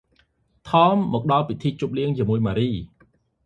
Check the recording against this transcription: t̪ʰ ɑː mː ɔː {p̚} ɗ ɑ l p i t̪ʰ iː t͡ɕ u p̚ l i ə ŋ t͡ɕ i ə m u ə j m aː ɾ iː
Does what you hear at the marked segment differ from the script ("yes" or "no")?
yes